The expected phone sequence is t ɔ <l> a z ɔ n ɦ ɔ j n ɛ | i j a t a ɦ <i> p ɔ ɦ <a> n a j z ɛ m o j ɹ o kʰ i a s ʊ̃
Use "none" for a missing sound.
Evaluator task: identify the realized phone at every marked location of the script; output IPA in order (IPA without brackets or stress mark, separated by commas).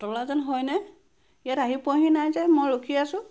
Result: l, i, i